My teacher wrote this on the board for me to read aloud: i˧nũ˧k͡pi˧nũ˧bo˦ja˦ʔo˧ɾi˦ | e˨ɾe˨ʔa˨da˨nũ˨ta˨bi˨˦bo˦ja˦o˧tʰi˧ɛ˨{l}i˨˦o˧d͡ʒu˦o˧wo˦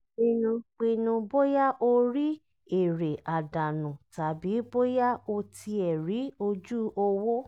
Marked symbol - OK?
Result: no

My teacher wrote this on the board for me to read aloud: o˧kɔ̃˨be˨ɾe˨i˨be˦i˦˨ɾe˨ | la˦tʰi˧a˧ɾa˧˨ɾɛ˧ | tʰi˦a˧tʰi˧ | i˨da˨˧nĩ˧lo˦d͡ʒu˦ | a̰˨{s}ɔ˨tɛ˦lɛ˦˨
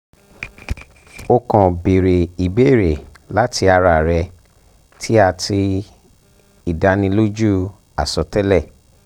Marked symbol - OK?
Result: yes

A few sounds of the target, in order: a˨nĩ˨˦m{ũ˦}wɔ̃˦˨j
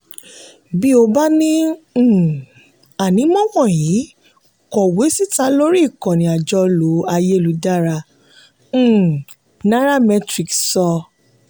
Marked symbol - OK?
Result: no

